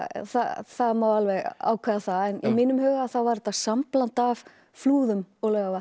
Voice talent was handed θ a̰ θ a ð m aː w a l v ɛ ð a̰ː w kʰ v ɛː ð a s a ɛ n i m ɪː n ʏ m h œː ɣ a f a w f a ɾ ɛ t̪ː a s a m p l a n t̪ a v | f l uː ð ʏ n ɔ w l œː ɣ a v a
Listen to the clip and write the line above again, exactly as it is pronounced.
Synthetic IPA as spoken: θ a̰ θ a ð m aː w a l v ɛ ɣ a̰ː w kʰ v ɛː ð a θ a ɛ n i m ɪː n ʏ m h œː ɣ a θ a w v a ɾ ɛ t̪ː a s a m p l a n t̪ a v | f l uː ð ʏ m ɔ ɣ l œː ɣ a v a